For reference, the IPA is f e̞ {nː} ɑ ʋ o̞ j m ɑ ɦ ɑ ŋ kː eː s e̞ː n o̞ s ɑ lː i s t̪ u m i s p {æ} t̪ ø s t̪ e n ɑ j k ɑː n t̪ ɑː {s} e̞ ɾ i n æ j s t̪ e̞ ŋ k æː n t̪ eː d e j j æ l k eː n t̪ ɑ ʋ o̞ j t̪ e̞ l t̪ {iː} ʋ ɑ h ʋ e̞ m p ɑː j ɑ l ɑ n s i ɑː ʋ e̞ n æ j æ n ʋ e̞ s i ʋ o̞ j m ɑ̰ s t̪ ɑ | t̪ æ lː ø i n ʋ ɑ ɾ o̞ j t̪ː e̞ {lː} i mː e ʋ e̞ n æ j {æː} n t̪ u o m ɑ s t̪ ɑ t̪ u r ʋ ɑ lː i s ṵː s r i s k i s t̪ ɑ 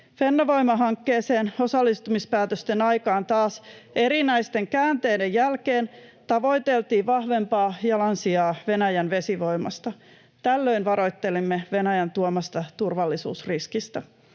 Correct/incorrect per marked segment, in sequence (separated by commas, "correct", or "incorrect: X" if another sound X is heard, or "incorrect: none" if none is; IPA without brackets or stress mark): correct, incorrect: æː, correct, correct, incorrect: l, incorrect: æ